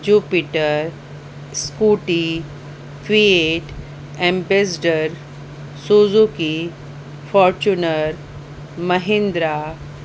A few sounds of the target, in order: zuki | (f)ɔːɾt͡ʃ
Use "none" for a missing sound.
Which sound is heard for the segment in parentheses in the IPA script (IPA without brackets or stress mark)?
f